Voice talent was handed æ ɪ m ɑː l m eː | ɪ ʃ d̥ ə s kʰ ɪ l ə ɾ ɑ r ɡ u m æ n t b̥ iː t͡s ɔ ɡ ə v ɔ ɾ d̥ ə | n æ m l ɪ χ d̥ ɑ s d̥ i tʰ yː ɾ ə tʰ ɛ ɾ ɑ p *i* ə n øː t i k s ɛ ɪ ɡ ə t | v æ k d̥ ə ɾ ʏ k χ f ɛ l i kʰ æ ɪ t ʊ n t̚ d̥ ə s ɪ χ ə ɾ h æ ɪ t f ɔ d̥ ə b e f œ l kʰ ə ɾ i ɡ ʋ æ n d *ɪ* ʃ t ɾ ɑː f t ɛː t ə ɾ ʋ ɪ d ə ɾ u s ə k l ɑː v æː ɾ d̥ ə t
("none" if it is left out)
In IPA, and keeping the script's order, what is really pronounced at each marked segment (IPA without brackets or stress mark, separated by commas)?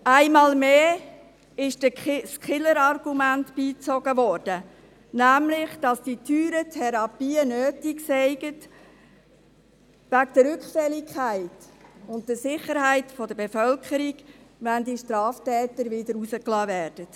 iː, i